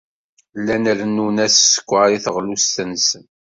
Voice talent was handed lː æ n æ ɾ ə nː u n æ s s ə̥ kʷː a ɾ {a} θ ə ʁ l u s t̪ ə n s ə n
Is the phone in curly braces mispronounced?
yes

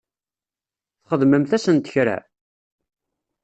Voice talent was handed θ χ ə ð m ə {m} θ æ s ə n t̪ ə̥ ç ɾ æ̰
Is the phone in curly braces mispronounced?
no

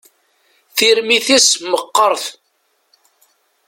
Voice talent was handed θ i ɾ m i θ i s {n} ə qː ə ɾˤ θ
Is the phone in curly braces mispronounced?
yes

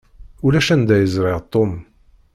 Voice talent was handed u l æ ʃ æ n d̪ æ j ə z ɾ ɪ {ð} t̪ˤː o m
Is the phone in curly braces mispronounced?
yes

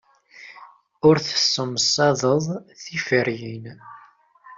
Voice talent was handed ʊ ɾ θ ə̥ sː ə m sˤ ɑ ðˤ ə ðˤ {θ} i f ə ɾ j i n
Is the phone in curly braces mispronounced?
no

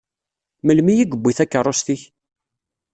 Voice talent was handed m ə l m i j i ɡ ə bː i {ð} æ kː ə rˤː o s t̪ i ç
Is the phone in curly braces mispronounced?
yes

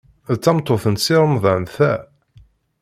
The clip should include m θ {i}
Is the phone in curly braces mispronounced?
yes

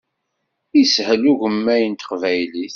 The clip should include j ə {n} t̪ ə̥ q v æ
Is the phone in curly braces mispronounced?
no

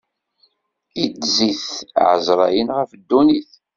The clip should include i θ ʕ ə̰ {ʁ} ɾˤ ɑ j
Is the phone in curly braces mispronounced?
yes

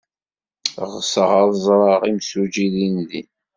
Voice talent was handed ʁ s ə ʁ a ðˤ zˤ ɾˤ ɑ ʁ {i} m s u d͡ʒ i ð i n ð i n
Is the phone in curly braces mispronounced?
no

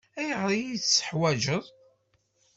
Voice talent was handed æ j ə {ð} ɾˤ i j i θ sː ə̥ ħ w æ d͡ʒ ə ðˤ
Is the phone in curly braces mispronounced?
yes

